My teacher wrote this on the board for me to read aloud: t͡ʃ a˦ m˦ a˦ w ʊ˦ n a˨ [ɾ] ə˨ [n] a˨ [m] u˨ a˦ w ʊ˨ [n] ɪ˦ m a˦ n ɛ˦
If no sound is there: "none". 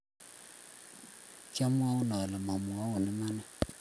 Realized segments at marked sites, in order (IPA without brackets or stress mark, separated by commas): l, m, m, n